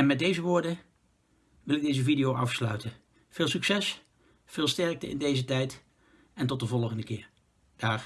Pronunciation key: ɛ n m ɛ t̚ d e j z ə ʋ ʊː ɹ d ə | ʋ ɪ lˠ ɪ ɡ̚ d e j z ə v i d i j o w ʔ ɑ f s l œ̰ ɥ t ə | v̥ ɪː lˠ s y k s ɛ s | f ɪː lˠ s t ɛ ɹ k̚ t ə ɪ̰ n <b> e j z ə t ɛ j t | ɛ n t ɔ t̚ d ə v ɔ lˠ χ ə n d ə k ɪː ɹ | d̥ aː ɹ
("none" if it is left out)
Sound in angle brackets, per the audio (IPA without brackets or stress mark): d